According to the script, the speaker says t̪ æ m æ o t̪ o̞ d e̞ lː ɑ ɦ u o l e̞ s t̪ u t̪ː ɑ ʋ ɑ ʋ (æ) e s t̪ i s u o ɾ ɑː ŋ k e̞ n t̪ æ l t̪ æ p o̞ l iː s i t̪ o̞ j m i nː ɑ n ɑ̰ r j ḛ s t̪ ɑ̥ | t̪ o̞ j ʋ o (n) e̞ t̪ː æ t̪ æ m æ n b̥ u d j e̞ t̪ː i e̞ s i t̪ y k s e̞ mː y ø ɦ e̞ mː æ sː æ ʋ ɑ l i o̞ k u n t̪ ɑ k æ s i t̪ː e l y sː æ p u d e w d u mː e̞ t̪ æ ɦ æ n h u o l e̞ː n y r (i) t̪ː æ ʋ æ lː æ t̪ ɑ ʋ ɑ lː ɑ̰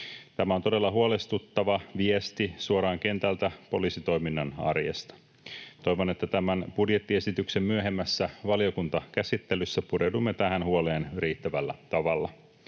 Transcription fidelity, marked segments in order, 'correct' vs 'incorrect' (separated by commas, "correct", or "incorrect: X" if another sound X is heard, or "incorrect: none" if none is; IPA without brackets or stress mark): incorrect: i, correct, incorrect: iː